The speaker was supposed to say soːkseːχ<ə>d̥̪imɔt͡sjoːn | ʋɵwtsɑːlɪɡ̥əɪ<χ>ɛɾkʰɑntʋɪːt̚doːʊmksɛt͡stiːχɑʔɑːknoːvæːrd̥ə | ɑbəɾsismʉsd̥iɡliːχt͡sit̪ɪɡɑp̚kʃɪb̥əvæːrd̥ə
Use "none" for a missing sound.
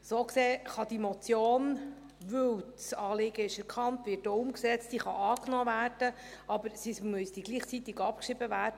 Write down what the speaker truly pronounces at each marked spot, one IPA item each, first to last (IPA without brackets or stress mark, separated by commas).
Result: ɑ, ʃ